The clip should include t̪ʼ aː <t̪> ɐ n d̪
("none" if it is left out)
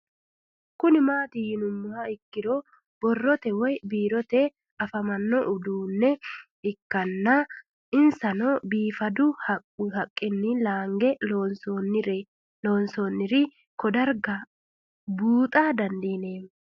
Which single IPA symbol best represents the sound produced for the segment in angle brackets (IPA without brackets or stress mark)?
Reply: d̪